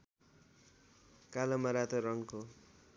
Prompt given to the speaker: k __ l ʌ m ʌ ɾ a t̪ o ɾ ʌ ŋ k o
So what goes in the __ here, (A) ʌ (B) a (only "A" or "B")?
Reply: B